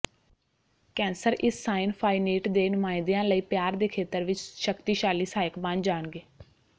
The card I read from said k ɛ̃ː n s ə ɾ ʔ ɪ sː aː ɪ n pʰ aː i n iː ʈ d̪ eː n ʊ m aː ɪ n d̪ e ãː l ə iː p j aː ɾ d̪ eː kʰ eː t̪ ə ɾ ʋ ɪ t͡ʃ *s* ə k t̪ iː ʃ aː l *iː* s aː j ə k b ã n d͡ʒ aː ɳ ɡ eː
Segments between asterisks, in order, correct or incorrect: incorrect: ʃ, correct

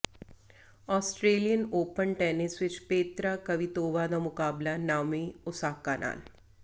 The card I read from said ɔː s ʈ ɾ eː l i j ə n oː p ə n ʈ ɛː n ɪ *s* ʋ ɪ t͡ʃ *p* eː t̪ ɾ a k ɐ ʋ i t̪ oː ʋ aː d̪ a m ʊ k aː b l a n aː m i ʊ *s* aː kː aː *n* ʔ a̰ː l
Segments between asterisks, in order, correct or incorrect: correct, correct, correct, correct

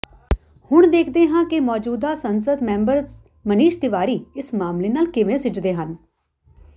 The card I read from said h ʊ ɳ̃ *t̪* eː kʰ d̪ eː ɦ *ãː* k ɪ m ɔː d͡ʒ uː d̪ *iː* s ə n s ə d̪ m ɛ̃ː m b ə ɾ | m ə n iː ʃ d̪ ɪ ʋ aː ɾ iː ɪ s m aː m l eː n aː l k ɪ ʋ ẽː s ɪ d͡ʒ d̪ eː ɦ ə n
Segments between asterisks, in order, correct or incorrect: incorrect: d̪, correct, incorrect: aː

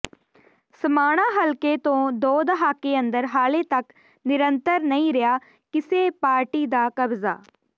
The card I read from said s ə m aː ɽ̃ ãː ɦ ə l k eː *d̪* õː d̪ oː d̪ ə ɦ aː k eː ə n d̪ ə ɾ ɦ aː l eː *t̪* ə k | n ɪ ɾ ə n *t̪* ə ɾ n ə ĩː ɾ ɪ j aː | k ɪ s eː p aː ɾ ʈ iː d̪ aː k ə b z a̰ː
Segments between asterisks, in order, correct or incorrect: incorrect: t̪, correct, correct

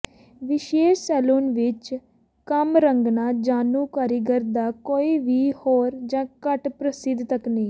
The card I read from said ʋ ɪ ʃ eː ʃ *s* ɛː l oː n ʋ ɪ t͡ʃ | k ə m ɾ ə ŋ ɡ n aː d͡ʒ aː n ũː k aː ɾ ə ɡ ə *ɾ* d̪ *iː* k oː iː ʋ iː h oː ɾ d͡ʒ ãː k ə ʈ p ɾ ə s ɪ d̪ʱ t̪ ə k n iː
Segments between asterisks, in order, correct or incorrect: correct, correct, incorrect: aː

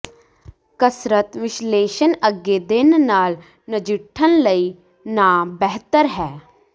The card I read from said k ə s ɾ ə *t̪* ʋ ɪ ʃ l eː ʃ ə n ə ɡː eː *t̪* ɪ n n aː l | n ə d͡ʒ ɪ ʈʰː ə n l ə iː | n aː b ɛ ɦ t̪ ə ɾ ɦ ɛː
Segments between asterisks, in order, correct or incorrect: correct, incorrect: d̪

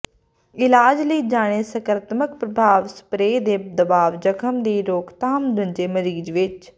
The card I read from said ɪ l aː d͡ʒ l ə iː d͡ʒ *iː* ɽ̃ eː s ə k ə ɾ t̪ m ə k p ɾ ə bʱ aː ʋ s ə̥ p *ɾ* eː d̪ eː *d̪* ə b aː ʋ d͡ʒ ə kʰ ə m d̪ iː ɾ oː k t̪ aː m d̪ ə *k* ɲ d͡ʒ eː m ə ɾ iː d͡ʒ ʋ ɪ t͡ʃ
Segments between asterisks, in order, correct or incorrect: incorrect: aː, correct, correct, incorrect: none

